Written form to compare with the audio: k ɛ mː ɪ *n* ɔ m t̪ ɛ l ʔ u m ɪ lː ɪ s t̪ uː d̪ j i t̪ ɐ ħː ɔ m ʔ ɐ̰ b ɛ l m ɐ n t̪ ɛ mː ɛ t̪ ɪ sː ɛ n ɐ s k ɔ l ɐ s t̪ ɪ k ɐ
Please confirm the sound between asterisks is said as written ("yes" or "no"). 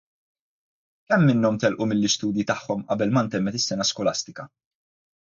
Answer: no